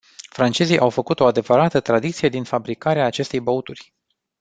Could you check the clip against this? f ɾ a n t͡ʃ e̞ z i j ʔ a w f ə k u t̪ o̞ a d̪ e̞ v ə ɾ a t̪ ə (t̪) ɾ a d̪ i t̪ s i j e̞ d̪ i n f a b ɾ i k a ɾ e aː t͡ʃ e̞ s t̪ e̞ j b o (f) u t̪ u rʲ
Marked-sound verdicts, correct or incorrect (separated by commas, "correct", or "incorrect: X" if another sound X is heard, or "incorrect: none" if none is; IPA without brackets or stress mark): correct, incorrect: none